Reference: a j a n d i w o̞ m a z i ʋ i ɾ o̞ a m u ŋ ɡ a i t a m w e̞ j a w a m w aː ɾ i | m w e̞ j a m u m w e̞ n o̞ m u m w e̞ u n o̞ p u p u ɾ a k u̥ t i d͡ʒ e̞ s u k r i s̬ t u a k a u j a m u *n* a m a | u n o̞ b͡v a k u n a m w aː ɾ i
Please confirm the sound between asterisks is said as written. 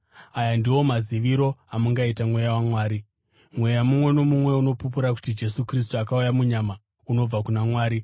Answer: no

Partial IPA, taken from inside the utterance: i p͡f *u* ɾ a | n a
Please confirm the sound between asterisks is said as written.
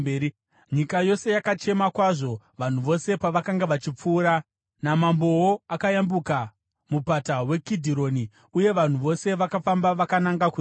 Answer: no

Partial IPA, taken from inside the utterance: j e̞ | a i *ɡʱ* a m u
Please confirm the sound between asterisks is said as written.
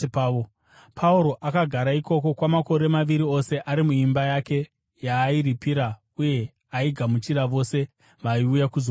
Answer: yes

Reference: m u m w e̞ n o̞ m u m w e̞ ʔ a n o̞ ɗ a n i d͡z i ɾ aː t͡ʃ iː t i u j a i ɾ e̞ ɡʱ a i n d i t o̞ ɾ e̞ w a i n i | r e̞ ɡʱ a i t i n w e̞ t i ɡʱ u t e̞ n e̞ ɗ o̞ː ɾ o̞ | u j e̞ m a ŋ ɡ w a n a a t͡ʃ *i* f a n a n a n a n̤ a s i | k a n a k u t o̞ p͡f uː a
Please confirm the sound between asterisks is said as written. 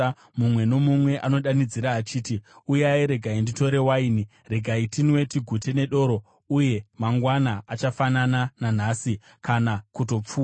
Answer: no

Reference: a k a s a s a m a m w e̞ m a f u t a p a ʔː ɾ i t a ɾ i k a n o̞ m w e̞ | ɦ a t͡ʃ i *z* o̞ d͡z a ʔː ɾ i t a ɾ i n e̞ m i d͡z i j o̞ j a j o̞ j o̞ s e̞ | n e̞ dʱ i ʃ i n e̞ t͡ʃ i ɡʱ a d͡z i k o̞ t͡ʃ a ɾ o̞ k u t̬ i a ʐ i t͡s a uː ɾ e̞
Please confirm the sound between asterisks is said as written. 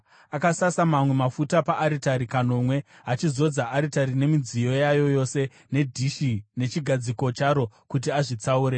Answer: yes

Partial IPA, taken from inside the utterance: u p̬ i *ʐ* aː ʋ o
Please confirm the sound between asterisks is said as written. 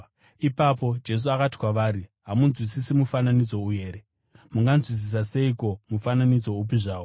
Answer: yes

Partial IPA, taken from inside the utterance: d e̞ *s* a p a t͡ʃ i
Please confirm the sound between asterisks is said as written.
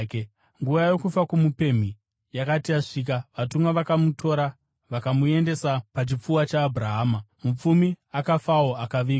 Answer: yes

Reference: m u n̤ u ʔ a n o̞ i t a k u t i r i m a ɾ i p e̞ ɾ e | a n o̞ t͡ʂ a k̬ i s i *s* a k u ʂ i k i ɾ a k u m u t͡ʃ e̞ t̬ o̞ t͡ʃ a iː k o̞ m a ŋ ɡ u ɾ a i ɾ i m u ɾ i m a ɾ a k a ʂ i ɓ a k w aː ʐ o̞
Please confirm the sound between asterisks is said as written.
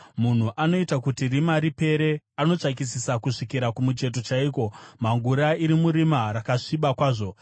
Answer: yes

